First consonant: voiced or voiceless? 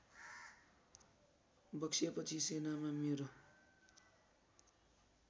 voiced